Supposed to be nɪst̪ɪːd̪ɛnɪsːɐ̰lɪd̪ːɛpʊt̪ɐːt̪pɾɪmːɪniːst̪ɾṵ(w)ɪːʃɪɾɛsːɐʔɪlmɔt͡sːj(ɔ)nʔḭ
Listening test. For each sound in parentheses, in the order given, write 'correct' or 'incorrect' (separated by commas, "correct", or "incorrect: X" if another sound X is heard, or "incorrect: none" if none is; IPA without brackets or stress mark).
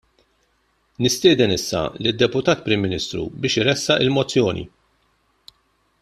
incorrect: b, incorrect: ɔː